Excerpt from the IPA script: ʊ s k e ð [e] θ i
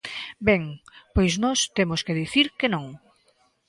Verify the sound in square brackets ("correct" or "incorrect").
incorrect